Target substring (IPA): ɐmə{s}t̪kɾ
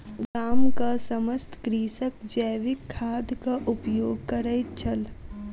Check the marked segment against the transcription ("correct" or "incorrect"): correct